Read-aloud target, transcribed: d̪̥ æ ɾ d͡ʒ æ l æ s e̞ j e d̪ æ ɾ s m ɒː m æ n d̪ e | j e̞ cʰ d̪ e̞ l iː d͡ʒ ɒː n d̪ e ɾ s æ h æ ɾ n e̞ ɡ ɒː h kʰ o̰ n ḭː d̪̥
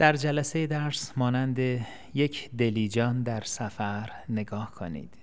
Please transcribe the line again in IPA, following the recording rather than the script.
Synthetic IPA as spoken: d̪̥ æ ɾ d͡ʒ æ l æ s e̞ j e d̪ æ ɾ s m ɒː n æ n d̪ e | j e̞ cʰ d̪ e̞ l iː d͡ʒ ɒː n d̪ æ ɾ s æ f æ ɾ n e̞ ɡ ɒː h kʰ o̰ n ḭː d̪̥